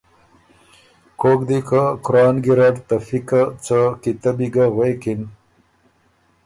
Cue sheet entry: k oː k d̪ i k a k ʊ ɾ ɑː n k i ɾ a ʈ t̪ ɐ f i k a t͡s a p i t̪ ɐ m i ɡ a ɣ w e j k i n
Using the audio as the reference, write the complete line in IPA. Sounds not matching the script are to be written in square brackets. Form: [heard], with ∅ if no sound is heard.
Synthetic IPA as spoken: k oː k d̪ i k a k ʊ ɾ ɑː n [ɡ] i ɾ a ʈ t̪ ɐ f i k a t͡s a [k] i t̪ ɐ [b] i ɡ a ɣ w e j k i n

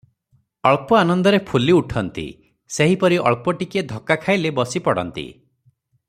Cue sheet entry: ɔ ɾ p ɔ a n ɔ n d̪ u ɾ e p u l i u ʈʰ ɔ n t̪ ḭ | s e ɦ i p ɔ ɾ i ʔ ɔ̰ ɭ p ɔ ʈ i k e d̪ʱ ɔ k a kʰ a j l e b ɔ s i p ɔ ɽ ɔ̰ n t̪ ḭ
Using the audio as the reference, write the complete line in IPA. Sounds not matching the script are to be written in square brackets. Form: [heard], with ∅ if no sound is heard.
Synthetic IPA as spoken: ɔ [ɭ] p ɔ a n ɔ n d̪ [ɔ] ɾ e [pʰ] u l i u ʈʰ ɔ n t̪ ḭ | s e ɦ i p ɔ ɾ i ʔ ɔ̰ ɭ p ɔ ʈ i k e d̪ʱ ɔ k a kʰ a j l e b ɔ s i p ɔ ɽ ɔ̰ n t̪ ḭ

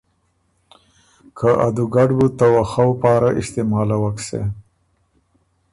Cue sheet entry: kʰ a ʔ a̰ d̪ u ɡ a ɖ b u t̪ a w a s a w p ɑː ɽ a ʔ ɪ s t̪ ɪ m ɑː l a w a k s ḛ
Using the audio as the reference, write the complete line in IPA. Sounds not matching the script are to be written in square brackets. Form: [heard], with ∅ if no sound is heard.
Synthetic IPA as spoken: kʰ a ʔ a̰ d̪ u ɡ a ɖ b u t̪ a w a [x] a w p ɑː [ɾ] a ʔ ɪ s t̪ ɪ m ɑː l a w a k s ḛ

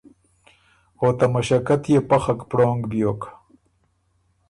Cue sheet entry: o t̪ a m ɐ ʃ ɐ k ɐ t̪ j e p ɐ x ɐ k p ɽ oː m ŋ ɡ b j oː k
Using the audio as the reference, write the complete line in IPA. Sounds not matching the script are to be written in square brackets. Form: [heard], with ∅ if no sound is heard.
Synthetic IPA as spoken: o t̪ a m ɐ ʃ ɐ k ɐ t̪ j e p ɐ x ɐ k p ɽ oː [∅] ŋ ɡ b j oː k

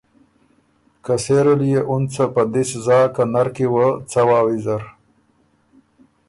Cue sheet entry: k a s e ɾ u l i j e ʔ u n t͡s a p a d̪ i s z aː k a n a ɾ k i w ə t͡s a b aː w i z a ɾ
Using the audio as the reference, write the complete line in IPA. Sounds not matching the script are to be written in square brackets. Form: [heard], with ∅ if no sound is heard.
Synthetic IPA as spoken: k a s e ɾ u l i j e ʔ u n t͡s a p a d̪ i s z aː k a n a ɾ k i w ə t͡s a [w] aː w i z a ɾ

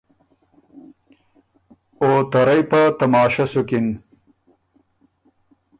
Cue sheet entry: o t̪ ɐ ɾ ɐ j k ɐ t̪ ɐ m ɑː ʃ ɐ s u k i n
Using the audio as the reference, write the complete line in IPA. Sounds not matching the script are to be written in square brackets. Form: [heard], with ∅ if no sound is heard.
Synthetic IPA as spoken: o t̪ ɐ ɾ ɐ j [p] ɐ t̪ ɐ m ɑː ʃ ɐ s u k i n

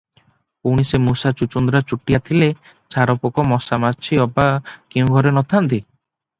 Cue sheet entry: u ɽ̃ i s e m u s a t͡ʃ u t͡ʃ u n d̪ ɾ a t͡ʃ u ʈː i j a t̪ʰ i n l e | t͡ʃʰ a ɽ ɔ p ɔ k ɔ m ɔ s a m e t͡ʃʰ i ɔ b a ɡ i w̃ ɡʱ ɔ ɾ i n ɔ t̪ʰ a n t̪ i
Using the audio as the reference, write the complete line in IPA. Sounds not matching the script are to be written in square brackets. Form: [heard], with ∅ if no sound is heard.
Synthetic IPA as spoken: u ɽ̃ i s e m u s a t͡ʃ u t͡ʃ u n d̪ ɾ a t͡ʃ u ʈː i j a t̪ʰ i [∅] l e | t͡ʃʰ a [ɾ] ɔ p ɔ k ɔ m ɔ s a m [a] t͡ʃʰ i ɔ b a [k] i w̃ ɡʱ ɔ ɾ [e] n ɔ t̪ʰ a n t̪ i

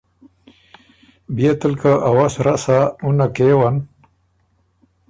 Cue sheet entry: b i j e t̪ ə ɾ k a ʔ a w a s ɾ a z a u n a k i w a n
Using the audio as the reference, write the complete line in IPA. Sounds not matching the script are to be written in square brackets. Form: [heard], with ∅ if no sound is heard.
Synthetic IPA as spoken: b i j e t̪ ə [l] k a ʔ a w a s ɾ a [s] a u n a k [e] w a n

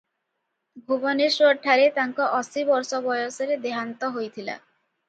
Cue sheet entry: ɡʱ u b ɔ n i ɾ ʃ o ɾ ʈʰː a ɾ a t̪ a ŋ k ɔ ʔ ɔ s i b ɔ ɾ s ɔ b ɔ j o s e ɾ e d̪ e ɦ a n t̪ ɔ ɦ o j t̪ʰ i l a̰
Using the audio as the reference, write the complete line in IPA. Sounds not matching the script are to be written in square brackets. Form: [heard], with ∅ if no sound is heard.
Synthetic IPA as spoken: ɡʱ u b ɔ n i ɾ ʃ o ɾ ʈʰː a ɾ [e] t̪ a ŋ k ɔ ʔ ɔ s i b ɔ ɾ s ɔ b ɔ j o s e ɾ e d̪ e ɦ a n t̪ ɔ ɦ o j t̪ʰ i l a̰

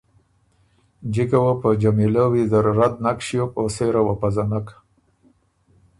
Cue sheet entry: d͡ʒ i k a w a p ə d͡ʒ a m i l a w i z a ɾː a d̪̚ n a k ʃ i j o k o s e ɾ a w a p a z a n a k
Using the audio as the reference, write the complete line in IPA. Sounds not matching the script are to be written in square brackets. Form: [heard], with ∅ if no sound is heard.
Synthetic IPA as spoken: d͡ʒ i k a w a p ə d͡ʒ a m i l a w i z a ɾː a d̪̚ n a k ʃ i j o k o s e ɾ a w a p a z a n a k

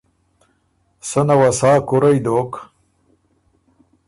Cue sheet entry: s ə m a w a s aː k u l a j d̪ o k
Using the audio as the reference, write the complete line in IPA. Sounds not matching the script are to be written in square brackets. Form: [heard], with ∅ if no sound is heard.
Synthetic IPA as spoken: s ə [n] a w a s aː k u [ɾ] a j d̪ o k

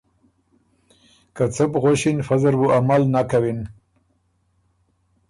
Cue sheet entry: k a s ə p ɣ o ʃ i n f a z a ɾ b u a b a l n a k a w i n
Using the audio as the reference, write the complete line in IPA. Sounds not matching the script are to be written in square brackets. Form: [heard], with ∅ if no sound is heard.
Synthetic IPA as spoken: k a [t͡s] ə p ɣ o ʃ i n f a z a ɾ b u a [m] a l n a k a w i n

